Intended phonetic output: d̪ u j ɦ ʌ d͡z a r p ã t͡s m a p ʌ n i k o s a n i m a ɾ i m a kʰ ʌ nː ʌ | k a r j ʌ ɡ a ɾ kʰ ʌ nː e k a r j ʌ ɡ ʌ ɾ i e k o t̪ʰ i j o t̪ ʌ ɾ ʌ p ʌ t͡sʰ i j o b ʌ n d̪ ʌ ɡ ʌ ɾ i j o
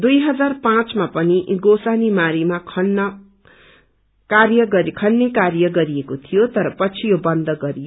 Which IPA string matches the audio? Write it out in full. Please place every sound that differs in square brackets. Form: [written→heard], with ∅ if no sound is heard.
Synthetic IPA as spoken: d̪ u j ɦ ʌ d͡z a r p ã t͡s m a p ʌ n i [k→ɡ] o s a n i m a ɾ i m a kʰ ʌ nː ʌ | k a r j ʌ ɡ [a→ʌ] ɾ kʰ ʌ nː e k a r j ʌ ɡ ʌ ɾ i e k o t̪ʰ i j o t̪ ʌ ɾ ʌ p ʌ t͡sʰ i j o b ʌ n d̪ ʌ ɡ ʌ ɾ i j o